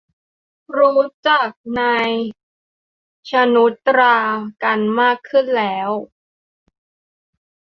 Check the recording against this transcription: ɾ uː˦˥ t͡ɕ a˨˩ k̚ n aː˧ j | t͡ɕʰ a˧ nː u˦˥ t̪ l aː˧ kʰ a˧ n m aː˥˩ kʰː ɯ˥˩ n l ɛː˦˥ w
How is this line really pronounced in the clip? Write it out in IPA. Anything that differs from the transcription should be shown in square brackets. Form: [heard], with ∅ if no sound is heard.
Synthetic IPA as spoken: ɾ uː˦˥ t͡ɕ a˨˩ k̚ n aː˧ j | t͡ɕʰ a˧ [n] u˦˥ t̪ [ɾ] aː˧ [k] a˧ n m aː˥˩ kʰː ɯ˥˩ n l ɛː˦˥ w